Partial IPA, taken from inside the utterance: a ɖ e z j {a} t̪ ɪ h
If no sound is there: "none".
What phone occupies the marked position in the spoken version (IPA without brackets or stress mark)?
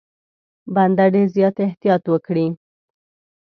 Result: ɑ